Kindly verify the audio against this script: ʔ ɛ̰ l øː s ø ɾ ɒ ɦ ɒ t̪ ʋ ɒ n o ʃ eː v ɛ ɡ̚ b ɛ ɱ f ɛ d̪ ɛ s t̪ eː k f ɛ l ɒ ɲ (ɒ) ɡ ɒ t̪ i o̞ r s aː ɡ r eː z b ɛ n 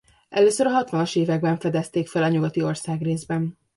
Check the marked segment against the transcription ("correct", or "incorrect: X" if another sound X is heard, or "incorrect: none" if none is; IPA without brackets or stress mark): incorrect: u